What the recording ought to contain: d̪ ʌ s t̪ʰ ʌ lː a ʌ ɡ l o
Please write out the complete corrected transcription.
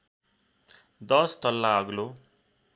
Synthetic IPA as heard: d̪ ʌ s t̪ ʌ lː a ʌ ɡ l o